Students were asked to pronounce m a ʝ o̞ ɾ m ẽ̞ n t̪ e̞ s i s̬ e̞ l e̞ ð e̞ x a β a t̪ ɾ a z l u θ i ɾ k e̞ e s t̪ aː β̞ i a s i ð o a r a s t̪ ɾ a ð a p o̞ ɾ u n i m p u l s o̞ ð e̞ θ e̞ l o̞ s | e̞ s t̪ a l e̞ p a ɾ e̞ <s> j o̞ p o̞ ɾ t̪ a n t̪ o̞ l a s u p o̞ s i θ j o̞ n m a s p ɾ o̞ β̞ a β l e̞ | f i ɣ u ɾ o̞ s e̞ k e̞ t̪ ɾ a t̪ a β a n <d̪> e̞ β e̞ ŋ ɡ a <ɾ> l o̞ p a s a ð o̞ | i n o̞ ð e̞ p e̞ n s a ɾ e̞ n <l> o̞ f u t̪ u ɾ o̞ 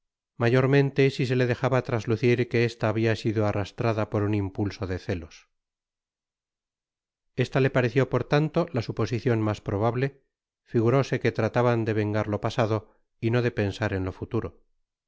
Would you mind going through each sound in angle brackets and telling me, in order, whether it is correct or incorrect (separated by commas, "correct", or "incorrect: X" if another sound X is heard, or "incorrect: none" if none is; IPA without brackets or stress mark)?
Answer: incorrect: θ, correct, correct, correct